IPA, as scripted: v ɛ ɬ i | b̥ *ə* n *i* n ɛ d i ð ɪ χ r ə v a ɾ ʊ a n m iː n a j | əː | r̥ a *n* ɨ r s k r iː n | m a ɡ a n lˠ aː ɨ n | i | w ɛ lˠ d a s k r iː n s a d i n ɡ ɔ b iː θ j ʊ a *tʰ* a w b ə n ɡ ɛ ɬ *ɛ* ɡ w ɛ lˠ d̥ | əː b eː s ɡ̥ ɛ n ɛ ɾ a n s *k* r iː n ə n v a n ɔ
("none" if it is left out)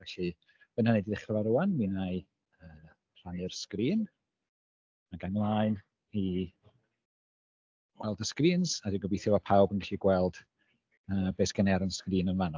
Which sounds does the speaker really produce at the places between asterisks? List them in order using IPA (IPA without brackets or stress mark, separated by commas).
ə, a, n, pʰ, i, k